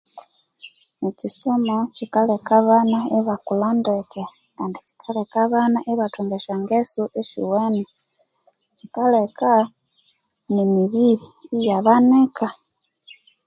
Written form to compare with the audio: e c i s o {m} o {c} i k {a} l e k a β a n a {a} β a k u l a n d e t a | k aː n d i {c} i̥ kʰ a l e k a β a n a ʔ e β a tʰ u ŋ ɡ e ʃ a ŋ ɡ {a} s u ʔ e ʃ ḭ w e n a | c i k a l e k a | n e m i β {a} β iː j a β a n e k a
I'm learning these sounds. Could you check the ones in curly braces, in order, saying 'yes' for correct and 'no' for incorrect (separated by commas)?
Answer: yes, yes, yes, no, yes, no, no